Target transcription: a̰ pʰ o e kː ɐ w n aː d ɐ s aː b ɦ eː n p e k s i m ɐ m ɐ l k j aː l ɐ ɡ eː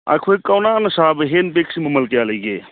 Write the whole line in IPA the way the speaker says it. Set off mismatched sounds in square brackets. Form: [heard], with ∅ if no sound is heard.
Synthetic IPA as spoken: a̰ [kʰ] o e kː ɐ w n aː [n] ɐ s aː b ɦ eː n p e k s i m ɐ m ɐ l k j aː l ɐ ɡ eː